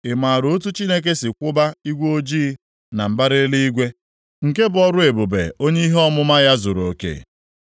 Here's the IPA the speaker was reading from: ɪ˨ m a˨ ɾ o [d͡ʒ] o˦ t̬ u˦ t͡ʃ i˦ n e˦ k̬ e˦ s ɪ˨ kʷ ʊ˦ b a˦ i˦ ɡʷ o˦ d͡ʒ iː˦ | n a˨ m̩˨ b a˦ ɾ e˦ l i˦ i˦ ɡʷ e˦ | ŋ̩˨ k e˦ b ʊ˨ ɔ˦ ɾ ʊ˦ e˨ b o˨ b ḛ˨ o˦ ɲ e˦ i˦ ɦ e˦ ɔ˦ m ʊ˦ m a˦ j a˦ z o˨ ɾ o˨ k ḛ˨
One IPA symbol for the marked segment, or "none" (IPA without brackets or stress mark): none